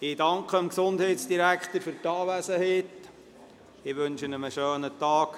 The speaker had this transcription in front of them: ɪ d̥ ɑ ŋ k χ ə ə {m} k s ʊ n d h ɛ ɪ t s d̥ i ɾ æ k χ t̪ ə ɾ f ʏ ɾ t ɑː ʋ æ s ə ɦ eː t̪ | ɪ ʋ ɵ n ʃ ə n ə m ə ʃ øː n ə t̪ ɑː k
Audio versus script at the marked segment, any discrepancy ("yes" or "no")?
no